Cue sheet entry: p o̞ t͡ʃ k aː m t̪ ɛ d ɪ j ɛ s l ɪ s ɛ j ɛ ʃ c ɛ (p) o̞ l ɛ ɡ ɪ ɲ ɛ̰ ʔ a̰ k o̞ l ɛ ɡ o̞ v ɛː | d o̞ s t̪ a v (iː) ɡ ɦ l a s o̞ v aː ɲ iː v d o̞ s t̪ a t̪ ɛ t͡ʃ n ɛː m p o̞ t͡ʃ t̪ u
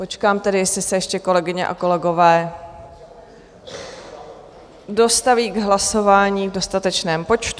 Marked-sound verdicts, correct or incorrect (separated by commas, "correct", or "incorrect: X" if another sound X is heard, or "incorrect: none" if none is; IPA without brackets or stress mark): incorrect: k, correct